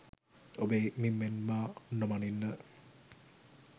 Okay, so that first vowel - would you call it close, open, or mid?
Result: mid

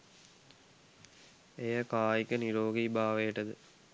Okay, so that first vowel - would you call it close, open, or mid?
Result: mid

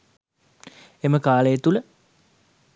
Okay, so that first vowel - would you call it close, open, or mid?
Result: mid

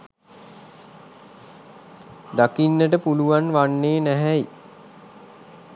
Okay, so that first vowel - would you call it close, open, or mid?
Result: open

